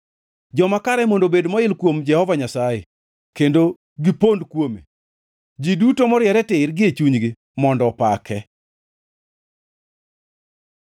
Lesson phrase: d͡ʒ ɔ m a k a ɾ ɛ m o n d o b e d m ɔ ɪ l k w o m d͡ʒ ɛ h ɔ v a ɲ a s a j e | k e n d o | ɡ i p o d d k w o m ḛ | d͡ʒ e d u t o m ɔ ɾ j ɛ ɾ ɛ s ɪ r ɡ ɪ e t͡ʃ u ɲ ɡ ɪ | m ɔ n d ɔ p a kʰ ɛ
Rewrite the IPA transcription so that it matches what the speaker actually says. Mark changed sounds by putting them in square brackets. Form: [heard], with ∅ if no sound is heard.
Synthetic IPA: d͡ʒ ɔ m a k a ɾ ɛ m o n d o b e d m ɔ ɪ l k w o m d͡ʒ ɛ h ɔ v a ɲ a s a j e | k e n d o | ɡ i p o [n] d k w o m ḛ | d͡ʒ [i] d u t o m ɔ ɾ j ɛ ɾ ɛ [t] ɪ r ɡ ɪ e t͡ʃ u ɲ ɡ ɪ | m ɔ n d ɔ p a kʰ ɛ